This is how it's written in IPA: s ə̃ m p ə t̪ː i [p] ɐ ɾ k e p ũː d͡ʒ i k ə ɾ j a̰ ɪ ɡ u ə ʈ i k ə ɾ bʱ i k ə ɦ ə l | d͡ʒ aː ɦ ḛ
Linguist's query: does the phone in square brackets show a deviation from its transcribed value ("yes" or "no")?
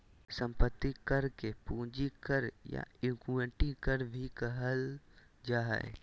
yes